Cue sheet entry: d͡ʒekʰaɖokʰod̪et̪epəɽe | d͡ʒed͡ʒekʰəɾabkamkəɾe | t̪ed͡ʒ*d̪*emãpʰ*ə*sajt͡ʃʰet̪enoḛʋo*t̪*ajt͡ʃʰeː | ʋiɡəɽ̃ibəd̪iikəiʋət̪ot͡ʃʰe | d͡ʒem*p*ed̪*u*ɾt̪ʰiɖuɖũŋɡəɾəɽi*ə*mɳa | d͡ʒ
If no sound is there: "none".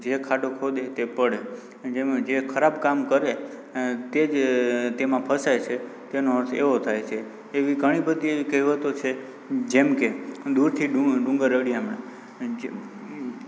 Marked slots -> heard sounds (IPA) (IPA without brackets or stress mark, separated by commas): t̪, ə, t̪ʰ, k, u, a